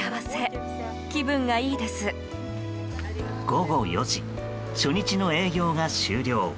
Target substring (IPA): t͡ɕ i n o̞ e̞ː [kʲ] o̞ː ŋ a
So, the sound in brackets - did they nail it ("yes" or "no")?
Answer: no